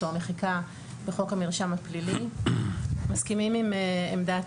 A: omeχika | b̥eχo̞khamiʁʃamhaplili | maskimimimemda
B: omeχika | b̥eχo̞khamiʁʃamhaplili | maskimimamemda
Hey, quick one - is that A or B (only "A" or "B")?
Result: A